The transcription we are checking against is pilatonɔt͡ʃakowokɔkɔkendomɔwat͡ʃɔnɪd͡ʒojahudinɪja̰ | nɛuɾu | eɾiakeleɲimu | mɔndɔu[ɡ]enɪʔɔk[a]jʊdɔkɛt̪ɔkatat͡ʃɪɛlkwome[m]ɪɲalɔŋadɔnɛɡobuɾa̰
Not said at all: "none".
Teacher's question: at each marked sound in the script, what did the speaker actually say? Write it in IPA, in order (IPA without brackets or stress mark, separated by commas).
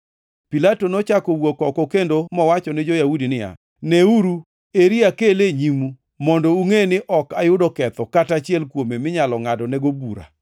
ŋ, a, m